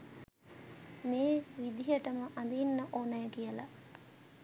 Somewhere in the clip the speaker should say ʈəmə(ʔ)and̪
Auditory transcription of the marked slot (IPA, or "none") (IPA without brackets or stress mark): ʔ